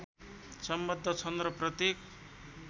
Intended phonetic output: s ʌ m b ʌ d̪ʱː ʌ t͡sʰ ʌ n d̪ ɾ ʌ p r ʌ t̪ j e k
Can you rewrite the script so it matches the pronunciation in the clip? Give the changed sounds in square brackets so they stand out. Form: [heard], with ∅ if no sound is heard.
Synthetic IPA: s ʌ m b ʌ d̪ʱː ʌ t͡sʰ ʌ n d̪ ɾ ʌ p r ʌ t̪ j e k